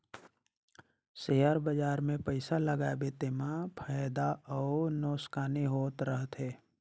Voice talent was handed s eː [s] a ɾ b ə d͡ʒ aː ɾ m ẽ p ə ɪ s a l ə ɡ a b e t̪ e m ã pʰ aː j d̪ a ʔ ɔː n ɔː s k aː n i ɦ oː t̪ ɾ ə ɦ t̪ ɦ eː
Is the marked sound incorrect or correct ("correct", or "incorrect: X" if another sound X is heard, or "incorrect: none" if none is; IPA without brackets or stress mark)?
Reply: incorrect: none